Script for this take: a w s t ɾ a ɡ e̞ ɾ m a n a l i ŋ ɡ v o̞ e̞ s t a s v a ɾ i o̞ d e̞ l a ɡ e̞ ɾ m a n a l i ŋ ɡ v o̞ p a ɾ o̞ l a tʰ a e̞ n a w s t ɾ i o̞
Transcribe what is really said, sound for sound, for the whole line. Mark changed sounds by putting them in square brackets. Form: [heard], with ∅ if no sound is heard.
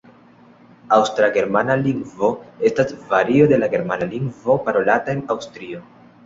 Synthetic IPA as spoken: a w s t ɾ a ɡ e̞ ɾ m a n a l i ŋ ɡ v o̞ e̞ s t a s v a ɾ i o̞ d e̞ l a ɡ e̞ ɾ m a n a l i ŋ ɡ v o̞ p a ɾ o̞ l a [t] a e̞ n a w s t ɾ i o̞